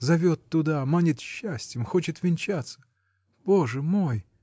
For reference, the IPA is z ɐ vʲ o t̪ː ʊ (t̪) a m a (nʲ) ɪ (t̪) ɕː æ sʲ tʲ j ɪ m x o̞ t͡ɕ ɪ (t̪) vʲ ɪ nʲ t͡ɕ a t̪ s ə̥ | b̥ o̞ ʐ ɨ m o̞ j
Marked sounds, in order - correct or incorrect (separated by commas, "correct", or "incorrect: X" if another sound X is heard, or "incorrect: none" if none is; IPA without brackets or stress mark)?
incorrect: d̪, correct, correct, correct